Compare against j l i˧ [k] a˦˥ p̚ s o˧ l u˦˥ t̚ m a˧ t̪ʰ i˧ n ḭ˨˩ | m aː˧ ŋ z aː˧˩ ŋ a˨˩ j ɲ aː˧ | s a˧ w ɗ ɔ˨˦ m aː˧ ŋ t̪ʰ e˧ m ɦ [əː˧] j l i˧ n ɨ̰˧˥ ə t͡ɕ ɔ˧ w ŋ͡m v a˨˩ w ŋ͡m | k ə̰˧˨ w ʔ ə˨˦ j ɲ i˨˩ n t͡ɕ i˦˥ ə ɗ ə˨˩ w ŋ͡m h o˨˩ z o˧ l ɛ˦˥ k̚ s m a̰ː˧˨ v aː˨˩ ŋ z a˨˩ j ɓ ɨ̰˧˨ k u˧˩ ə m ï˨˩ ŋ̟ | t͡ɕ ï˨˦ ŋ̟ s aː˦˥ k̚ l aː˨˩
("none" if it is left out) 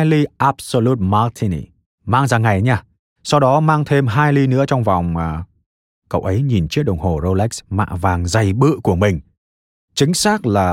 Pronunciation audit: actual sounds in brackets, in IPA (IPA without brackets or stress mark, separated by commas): ʔ, aː˧